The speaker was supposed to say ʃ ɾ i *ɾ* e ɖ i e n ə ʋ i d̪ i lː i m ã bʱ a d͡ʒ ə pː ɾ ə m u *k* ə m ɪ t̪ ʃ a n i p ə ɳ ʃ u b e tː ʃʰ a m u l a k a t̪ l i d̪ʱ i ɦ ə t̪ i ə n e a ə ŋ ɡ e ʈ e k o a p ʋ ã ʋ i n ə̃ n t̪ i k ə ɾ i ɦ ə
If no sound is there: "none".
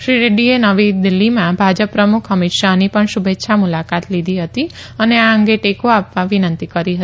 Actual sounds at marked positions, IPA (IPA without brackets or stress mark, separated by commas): ɾ, kʰ